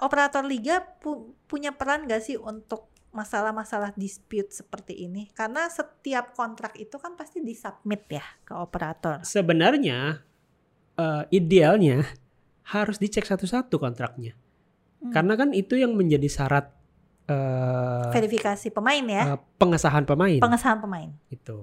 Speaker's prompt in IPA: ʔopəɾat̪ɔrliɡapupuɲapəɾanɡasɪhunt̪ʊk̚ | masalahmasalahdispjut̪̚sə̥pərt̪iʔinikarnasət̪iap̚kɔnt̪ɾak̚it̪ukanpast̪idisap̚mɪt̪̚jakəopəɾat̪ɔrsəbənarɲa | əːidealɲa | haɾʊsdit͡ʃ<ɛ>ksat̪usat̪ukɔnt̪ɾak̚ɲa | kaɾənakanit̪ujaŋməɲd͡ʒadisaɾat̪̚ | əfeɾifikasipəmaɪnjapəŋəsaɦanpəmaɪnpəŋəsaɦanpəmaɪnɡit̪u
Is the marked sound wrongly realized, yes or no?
no